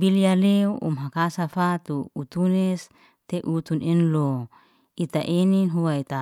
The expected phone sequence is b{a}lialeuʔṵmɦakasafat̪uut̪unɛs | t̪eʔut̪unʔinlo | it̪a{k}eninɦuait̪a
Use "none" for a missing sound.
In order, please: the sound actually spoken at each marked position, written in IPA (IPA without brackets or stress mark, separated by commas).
i, ʔ